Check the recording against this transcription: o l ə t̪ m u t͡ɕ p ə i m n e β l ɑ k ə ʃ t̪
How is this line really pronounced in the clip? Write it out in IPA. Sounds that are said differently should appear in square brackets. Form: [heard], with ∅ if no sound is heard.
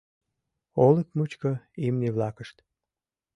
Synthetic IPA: o l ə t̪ m u t͡ɕ [k] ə i m n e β l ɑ k ə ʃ t̪

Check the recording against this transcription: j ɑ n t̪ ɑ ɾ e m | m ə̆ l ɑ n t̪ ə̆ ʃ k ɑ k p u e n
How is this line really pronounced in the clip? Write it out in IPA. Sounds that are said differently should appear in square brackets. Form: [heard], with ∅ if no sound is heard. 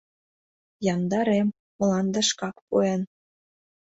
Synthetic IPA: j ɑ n [d̪] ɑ ɾ e m | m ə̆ l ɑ n [d̪] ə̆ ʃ k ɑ k p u e n

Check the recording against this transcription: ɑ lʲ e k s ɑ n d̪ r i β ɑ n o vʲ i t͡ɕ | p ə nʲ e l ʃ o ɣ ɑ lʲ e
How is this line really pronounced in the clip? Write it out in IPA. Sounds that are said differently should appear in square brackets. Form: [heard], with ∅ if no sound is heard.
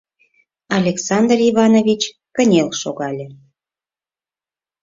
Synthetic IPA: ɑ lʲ e k s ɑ n d̪ r i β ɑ n o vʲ i t͡ɕ | [k] ə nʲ e l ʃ o ɣ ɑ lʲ e

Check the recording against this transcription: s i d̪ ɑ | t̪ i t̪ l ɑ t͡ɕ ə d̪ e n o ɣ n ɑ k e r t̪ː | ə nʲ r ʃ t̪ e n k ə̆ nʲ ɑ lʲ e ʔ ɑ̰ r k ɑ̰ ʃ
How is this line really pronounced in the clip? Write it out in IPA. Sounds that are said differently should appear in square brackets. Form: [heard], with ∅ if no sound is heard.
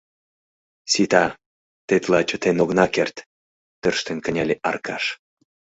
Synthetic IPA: s i [t̪] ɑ | t̪ [e] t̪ l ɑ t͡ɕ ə [t̪] e n o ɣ n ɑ k e r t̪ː | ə [∅] r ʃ t̪ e n k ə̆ nʲ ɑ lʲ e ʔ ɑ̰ r k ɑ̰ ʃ

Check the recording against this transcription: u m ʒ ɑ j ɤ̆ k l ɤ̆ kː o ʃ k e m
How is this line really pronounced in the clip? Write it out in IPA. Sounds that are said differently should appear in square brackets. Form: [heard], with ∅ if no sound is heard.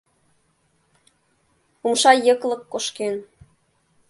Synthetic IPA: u m [ʃ] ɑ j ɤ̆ k l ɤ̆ kː o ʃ k e [n]

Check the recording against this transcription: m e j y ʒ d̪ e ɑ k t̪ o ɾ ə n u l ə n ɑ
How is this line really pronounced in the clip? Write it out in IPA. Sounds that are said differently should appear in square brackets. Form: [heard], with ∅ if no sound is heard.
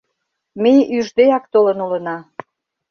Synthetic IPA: m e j y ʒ d̪ e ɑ k t̪ o [l] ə n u l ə n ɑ

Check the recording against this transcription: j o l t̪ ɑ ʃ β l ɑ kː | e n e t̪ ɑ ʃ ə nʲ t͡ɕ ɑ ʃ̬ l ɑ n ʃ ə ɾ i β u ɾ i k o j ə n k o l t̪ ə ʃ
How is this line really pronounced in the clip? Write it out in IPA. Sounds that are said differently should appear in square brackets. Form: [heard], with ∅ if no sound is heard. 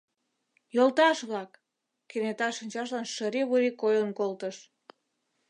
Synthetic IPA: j o l t̪ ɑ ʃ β l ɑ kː | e n e t̪ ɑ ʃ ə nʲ t͡ɕ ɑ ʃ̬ l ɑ n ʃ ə ɾ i β u ɾ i k o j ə n k o l t̪ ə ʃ

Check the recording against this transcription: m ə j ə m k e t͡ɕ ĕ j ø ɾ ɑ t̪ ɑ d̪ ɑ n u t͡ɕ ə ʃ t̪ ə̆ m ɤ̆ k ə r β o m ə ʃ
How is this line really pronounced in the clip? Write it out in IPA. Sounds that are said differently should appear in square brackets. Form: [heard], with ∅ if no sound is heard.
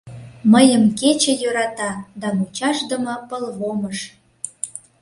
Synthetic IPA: m ə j ə m k e t͡ɕ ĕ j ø ɾ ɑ t̪ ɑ d̪ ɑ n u t͡ɕ [ɑ] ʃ [d̪] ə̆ m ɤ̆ [p] ə [l] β o m ə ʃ

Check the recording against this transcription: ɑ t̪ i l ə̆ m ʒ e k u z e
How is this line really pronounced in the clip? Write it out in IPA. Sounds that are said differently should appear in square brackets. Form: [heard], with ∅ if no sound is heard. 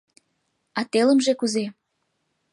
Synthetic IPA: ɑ t̪ [e] l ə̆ m ʒ e k u z e

